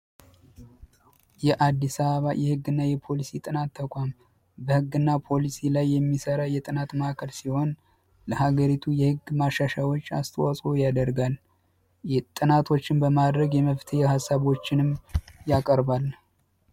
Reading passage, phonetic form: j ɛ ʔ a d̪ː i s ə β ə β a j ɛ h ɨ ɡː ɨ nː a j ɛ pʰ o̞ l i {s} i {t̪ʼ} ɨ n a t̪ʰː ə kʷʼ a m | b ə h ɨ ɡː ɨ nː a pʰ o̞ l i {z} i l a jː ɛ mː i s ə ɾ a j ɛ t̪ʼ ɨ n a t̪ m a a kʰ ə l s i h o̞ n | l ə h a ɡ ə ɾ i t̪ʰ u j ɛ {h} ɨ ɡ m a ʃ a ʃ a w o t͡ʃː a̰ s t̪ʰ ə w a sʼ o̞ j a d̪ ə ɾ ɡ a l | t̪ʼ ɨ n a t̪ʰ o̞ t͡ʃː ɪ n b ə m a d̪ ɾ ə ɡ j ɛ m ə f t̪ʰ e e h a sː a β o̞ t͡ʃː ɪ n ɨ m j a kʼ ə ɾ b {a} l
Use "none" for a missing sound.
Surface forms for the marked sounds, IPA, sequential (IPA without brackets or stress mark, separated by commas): s, t̪ʼ, s, h, a